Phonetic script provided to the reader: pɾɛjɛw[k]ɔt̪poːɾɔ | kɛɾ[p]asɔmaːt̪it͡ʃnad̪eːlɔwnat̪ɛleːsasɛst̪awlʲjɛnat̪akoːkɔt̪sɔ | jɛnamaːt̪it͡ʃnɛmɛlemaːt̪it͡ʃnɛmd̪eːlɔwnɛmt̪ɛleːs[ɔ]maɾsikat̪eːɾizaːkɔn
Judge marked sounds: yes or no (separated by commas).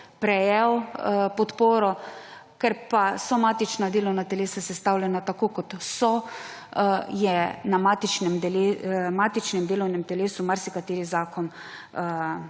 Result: no, yes, no